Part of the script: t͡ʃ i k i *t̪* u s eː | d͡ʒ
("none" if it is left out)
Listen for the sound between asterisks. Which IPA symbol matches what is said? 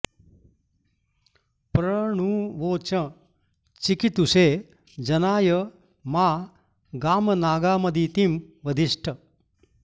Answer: t̪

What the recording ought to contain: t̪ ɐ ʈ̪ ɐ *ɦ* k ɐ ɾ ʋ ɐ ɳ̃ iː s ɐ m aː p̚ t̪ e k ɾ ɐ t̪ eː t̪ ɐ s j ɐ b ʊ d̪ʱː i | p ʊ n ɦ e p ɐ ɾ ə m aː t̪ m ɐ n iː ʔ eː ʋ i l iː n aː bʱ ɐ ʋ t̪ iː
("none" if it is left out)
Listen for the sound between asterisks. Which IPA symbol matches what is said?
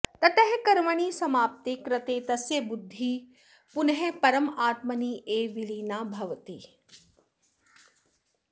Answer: ɦ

